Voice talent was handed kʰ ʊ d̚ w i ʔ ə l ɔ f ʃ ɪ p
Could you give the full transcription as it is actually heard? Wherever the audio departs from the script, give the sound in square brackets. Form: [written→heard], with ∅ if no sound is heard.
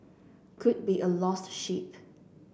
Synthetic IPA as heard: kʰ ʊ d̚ [w→b] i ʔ ə l ɔ [f→s] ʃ [ɪ→i] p